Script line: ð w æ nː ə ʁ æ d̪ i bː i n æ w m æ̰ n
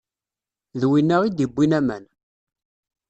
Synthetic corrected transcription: ð w i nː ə ʁ i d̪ i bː i n æ m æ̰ n